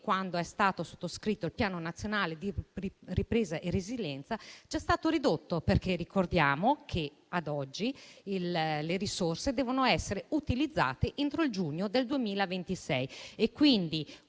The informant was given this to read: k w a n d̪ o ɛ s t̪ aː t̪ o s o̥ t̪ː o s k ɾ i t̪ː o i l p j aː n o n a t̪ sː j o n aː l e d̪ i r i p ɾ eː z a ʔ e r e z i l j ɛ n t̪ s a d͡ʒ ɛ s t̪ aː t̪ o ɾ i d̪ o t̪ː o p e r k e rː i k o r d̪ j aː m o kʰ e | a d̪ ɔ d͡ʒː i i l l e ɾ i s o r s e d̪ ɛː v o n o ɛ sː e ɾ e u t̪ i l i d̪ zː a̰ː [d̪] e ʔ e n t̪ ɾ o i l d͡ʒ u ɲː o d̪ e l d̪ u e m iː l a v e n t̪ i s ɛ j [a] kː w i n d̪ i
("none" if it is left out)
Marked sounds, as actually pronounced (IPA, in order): t̪, e

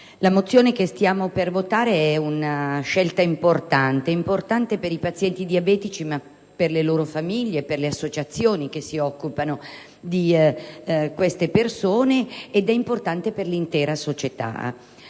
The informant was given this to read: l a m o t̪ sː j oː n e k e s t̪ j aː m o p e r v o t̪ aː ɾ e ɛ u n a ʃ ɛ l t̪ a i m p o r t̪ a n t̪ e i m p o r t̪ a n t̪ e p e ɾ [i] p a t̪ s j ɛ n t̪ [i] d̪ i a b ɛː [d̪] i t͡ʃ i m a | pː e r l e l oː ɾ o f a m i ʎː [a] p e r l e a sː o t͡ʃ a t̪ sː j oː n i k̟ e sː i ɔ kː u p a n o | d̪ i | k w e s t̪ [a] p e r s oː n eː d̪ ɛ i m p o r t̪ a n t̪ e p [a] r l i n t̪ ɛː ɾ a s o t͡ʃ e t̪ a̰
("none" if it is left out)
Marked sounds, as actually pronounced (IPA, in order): i, i, t̪, e, e, e

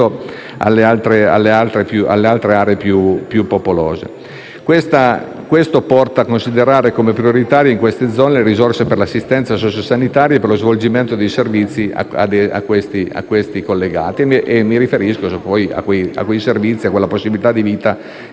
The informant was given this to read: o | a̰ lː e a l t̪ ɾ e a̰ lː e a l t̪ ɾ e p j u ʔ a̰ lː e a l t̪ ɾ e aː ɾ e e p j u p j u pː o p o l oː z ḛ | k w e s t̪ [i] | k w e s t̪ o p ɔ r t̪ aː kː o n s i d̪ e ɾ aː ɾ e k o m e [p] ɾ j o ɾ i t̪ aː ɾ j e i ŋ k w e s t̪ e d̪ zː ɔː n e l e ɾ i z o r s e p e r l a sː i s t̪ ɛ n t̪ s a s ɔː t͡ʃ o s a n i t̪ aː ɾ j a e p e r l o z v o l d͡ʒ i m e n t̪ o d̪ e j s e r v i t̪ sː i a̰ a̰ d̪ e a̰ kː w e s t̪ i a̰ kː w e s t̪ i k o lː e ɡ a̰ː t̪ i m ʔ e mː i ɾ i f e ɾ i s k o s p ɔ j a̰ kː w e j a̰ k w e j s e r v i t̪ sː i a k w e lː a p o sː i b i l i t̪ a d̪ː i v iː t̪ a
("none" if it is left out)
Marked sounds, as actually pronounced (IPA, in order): a, p

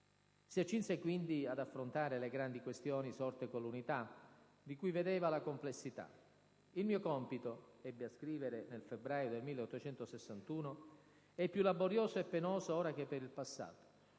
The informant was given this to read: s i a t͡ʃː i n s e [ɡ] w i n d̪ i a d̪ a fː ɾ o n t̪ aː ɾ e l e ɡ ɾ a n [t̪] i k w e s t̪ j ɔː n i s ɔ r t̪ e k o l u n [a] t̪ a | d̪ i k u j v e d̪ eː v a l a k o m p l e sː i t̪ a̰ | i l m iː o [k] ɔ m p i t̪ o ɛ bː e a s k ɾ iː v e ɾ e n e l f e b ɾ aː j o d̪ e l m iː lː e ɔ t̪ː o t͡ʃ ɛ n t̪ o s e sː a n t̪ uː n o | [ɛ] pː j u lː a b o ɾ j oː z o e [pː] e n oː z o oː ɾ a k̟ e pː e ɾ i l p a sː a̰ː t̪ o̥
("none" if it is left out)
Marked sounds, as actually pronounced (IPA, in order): k, d̪, i, k, ɛ, pː

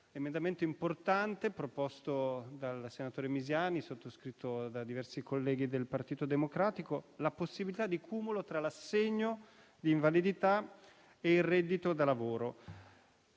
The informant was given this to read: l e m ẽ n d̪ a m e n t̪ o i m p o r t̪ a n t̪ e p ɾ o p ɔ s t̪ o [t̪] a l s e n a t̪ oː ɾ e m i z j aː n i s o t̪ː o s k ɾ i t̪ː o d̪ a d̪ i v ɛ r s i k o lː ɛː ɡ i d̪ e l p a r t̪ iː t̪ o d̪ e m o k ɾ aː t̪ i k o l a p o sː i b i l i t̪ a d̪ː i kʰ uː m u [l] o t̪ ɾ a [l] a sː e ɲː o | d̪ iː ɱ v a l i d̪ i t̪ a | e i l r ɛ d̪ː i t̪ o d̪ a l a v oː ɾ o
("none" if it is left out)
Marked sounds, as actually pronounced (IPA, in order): d̪, l, l

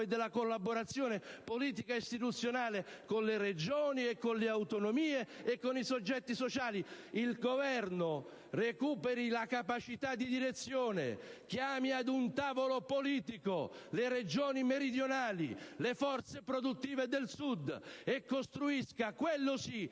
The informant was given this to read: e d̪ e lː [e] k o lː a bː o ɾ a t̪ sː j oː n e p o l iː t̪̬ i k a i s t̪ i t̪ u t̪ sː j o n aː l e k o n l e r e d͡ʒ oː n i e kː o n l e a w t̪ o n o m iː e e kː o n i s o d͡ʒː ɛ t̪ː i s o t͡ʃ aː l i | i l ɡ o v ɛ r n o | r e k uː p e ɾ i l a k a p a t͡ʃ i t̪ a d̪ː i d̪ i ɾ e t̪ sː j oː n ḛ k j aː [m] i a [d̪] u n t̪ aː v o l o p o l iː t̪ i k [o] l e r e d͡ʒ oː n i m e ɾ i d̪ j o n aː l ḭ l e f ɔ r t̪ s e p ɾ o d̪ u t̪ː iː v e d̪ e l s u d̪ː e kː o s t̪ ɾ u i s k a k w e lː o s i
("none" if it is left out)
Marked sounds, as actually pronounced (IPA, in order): a, m, d̪, o

